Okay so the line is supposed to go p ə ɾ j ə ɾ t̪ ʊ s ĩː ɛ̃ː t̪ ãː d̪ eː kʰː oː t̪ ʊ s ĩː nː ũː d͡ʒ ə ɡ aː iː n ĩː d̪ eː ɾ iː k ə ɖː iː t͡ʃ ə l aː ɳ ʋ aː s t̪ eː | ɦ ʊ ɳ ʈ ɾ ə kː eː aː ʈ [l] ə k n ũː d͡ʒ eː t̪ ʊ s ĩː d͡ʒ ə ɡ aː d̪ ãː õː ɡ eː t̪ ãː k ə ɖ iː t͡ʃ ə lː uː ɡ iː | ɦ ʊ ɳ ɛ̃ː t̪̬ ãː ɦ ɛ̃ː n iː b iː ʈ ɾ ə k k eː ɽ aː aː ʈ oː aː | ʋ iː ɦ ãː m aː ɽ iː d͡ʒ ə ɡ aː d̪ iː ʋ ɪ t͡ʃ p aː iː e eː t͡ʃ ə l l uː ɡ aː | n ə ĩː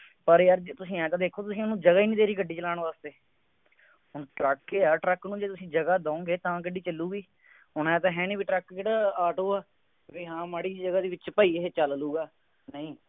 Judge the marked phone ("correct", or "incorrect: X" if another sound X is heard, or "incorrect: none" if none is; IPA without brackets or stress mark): incorrect: ɾ